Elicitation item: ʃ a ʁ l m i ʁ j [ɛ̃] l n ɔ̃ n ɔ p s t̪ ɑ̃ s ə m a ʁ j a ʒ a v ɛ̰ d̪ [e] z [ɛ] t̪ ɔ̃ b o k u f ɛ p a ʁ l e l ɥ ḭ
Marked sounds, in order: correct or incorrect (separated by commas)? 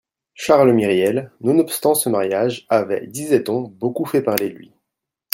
incorrect, incorrect, correct